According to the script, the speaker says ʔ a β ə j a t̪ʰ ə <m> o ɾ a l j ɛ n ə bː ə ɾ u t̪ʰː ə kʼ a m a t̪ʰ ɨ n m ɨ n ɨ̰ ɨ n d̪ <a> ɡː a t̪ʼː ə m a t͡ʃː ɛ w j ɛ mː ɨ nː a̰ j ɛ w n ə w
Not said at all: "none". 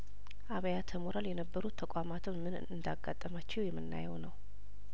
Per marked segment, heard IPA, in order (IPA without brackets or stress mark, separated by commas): m, a